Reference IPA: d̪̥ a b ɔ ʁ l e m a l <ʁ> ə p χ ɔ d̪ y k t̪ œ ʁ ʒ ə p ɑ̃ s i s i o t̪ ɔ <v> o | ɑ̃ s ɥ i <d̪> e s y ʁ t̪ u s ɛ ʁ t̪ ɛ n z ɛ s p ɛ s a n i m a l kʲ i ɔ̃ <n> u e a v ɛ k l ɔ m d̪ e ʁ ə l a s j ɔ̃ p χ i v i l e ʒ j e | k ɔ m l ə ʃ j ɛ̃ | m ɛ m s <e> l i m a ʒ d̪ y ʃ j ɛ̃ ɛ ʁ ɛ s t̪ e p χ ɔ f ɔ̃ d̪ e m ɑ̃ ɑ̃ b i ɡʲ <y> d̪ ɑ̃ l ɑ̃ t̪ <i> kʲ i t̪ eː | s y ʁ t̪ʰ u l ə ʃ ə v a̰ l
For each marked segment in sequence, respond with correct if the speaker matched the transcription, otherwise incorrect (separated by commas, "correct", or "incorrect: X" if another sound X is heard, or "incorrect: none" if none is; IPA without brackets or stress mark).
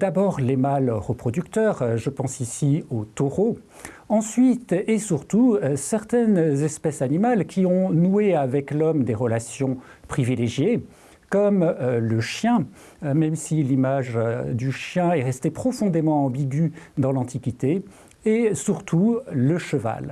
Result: correct, incorrect: ʁ, incorrect: t̪, correct, incorrect: i, correct, correct